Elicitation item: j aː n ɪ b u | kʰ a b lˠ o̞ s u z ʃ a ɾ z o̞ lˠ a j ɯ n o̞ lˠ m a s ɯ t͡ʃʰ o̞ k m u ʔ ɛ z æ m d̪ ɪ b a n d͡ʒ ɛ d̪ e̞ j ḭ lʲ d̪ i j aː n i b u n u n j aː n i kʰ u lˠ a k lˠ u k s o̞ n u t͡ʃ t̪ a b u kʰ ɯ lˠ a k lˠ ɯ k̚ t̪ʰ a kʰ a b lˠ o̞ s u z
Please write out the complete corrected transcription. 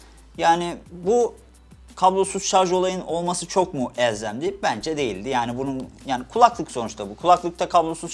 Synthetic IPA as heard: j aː n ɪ b u | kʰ a b lˠ o̞ s u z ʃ a ɾ ʒ o̞ lˠ a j ɯ n o̞ lˠ m a s ɯ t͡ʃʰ o̞ k m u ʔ ɛ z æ m d̪ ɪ b æ n d͡ʒ ɛ d̪ e̞ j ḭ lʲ d̪ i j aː n i b u n u n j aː n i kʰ u lˠ a k lˠ ɯ k s o̞ n u t͡ʃ t̪ a b u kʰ u lˠ a k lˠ ɯ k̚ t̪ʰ a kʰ a b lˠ o̞ s u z